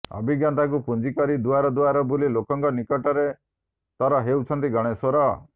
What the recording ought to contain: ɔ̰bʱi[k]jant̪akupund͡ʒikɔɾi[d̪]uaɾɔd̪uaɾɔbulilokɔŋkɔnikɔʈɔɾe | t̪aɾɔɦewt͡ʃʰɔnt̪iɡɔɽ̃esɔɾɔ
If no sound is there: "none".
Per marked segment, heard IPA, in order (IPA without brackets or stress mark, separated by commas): ɡ, d̪